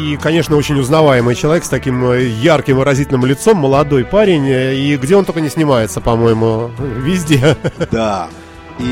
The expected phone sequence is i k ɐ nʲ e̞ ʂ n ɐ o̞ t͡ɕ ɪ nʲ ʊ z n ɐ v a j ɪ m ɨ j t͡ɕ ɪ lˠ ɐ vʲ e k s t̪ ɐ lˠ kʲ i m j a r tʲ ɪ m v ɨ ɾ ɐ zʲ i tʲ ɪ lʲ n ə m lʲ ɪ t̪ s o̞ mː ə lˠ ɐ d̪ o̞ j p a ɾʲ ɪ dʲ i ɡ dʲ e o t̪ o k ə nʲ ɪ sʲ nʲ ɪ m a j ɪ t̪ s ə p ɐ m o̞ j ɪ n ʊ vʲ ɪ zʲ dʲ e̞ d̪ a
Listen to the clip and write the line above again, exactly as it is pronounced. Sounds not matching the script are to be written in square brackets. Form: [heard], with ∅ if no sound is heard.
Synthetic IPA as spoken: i k ɐ nʲ e̞ ʂ n [ə] o̞ t͡ɕ ɪ nʲ ʊ z n ɐ v a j ɪ m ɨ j t͡ɕ ɪ lˠ ɐ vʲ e k s t̪ ɐ [∅] kʲ i m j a r [kʲ] ɪ m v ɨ ɾ ɐ zʲ i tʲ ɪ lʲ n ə m lʲ ɪ t̪ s o̞ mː ə lˠ ɐ d̪ o̞ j p a ɾʲ ɪ [nʲ] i ɡ dʲ e o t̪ o k ə nʲ ɪ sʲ nʲ ɪ m a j ɪ t̪ s ə p ɐ m o̞ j ɪ [m] ʊ vʲ ɪ zʲ dʲ e̞ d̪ a